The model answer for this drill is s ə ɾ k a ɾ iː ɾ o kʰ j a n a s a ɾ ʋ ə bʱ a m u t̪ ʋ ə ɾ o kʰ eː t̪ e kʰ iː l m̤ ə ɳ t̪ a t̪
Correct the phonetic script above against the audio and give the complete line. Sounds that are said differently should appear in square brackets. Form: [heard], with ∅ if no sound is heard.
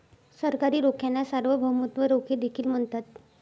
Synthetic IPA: s ə ɾ k a ɾ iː ɾ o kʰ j a n a s a ɾ ʋ ə bʱ [ə] m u t̪ ʋ ə ɾ o kʰ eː [d̪] e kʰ iː l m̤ ə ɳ t̪ a t̪